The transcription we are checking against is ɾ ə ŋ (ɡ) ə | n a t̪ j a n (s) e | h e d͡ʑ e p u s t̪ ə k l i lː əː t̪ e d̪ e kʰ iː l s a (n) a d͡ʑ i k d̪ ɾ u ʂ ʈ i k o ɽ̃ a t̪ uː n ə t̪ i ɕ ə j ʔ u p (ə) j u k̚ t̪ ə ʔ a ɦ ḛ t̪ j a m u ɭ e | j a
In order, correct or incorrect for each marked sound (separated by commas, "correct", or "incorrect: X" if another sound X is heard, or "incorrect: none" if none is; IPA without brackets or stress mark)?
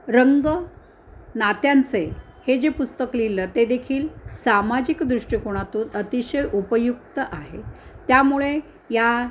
correct, incorrect: t͡s, incorrect: m, correct